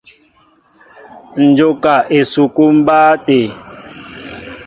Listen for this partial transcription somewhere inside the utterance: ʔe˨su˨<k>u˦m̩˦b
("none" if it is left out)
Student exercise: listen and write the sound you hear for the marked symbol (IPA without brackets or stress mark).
k